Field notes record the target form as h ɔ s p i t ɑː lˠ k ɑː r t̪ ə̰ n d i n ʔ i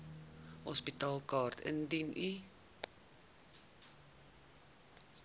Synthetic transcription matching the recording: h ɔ s p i t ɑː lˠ k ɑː r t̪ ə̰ n d i n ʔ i